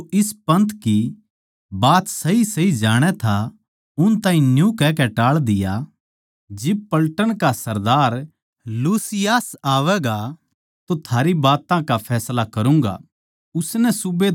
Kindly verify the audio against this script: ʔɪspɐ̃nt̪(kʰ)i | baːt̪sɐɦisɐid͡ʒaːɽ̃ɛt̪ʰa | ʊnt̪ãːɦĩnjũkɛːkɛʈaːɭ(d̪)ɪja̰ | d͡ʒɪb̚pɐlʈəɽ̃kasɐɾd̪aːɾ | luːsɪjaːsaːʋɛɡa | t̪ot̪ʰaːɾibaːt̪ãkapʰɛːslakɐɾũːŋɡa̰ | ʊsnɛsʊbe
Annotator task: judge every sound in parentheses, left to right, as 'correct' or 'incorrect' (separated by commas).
incorrect, correct